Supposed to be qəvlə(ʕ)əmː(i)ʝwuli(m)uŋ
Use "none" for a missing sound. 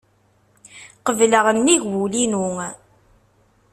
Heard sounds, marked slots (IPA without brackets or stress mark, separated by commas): ʁ, i, n